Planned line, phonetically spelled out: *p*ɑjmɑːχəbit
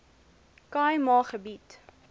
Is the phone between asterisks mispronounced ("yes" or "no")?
yes